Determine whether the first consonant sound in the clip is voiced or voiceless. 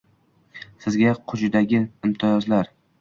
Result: voiceless